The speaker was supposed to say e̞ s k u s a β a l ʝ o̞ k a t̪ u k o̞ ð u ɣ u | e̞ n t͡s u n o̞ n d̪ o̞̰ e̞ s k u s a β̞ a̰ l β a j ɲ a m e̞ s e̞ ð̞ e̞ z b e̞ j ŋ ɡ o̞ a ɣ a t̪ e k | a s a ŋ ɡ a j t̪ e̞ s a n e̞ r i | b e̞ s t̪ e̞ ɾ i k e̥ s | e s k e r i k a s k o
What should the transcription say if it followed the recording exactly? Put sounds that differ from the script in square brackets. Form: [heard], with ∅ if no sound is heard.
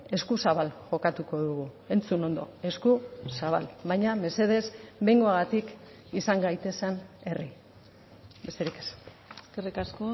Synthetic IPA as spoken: e̞ s k u s a β a l ʝ o̞ k a t̪ u k o̞ ð u ɣ u | e̞ n t͡s u n o̞ n d̪ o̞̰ e̞ s k u s a β̞ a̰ l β a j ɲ a m e̞ s e̞ ð̞ e̞ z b e̞ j ŋ ɡ o̞ a ɣ a t̪ [i] k | [i] s a ŋ ɡ a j t̪ e̞ s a n e̞ r i | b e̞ s t̪ e̞ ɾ i k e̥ s | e s k e r i k a s k o